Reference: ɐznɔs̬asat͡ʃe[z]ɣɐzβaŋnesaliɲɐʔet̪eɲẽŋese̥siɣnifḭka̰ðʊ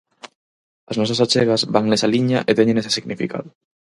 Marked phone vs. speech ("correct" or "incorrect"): incorrect